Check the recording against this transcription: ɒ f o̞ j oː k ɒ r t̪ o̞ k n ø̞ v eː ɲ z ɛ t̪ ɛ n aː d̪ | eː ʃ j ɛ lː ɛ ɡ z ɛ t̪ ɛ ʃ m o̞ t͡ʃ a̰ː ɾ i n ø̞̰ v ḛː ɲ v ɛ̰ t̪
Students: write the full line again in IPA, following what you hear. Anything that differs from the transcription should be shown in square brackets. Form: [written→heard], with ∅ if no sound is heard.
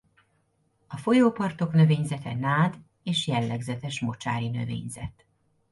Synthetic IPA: ɒ f o̞ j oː [k→p] ɒ r t̪ o̞ k n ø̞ v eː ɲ z ɛ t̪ ɛ n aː d̪ | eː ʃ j ɛ lː ɛ ɡ z ɛ t̪ ɛ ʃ m o̞ t͡ʃ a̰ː ɾ i n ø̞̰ v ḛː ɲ [v→z] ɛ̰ t̪

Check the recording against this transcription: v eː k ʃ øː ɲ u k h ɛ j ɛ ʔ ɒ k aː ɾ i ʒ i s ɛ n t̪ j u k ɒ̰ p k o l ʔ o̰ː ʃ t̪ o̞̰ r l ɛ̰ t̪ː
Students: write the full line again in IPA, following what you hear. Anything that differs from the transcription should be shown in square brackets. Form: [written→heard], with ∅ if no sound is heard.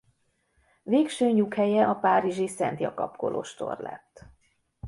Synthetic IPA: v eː k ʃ øː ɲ u k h ɛ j ɛ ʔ ɒ [k→p] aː ɾ i ʒ i s ɛ n t̪ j [u→ɒ] k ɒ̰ p k o l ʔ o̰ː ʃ t̪ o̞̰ r l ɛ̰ t̪ː

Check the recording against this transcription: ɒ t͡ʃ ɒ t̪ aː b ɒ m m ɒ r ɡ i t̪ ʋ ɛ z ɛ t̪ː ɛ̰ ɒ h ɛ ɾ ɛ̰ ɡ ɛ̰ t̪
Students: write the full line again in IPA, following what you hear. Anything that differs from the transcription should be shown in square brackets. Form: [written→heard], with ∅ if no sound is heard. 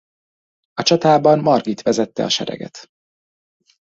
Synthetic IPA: ɒ t͡ʃ ɒ t̪ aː b ɒ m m ɒ r ɡ i t̪ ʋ ɛ z ɛ t̪ː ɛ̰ ɒ [h→ʃ] ɛ ɾ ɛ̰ ɡ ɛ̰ t̪

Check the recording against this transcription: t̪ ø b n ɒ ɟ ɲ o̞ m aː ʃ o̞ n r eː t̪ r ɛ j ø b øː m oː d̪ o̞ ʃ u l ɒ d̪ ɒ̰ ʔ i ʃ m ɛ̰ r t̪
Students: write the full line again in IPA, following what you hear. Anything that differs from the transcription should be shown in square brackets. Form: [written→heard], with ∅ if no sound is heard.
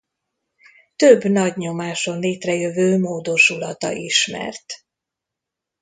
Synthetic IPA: t̪ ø b n ɒ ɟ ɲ o̞ m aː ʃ o̞ n [r→l] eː t̪ r ɛ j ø [b→v] øː m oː d̪ o̞ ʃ u l ɒ [d̪→t̪] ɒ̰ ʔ i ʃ m ɛ̰ r t̪

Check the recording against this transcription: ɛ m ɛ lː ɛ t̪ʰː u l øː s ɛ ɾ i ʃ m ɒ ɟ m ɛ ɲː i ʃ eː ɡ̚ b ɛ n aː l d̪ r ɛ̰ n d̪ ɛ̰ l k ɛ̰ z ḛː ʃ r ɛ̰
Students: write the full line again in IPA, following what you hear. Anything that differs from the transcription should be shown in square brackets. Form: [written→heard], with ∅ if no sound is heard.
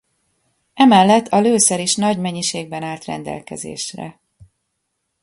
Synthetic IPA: ɛ m ɛ lː ɛ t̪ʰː [u→ɒ] l øː s ɛ ɾ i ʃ [m→n] ɒ ɟ m ɛ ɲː i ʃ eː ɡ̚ b ɛ n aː l [d̪→t̪] r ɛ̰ n d̪ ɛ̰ l k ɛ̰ z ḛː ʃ r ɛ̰

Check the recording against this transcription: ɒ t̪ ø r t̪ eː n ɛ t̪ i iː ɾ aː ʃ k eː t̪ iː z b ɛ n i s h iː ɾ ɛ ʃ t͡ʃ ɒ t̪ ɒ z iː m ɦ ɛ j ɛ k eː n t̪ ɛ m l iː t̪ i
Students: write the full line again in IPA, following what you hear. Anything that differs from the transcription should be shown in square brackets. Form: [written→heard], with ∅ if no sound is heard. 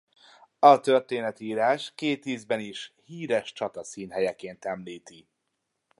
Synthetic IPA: ɒ t̪ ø r t̪ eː n ɛ t̪ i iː ɾ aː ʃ k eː t̪ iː z b ɛ n i [s→ʃ] h iː ɾ ɛ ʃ t͡ʃ ɒ t̪ ɒ [z→s] iː [m→n] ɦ ɛ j ɛ k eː n t̪ ɛ m l iː t̪ i

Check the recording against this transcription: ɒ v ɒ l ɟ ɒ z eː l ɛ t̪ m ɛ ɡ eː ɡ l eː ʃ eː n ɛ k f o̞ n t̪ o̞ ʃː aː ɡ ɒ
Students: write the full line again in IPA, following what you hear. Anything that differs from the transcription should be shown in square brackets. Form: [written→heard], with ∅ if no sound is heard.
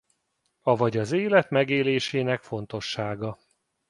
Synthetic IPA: ɒ v ɒ [l→∅] ɟ ɒ z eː l ɛ t̪ m ɛ ɡ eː [ɡ→∅] l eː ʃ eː n ɛ k f o̞ n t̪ o̞ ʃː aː ɡ ɒ

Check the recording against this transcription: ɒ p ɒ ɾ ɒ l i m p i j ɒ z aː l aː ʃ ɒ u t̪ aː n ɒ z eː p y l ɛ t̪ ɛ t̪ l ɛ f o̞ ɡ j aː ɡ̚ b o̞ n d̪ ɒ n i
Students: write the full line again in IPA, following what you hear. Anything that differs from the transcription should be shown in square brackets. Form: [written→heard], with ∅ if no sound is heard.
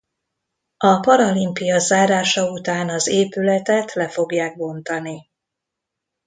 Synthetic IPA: ɒ p ɒ ɾ ɒ l i m p i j ɒ z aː [l→ɾ] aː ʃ ɒ u t̪ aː n ɒ z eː p y l ɛ t̪ ɛ t̪ l ɛ f o̞ ɡ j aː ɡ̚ b o̞ n [d̪→t̪] ɒ n i

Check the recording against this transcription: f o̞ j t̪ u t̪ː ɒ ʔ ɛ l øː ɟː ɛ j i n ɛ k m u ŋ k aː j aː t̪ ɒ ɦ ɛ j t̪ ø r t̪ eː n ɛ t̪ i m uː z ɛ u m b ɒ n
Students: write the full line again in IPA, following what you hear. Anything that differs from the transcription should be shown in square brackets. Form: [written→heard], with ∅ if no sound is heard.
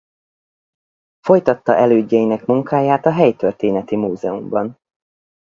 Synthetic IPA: f o̞ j t̪ [u→ɒ] t̪ː ɒ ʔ ɛ l øː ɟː ɛ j i n ɛ k m u ŋ k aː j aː t̪ ɒ ɦ ɛ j t̪ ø r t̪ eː n ɛ t̪ i m uː z ɛ u m b ɒ n

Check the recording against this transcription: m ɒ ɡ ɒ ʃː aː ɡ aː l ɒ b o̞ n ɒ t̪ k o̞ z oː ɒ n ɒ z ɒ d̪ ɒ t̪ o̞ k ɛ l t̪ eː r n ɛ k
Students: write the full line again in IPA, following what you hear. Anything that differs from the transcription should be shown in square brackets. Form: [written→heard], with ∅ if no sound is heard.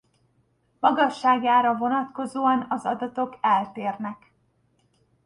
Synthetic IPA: m ɒ ɡ ɒ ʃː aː ɡ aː [l→ɾ] ɒ [b→v] o̞ n ɒ t̪ k o̞ z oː ɒ n ɒ z ɒ d̪ ɒ t̪ o̞ k ɛ l t̪ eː r n ɛ k

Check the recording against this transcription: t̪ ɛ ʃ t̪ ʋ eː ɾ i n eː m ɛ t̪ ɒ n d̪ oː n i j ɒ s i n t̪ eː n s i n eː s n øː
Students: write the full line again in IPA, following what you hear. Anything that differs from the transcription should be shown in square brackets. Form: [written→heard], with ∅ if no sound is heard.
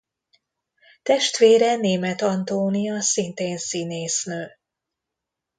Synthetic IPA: t̪ ɛ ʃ t̪ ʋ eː ɾ [i→ɛ] n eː m ɛ t̪ ɒ n [d̪→t̪] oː n i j ɒ s i n t̪ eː n s i n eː s n øː

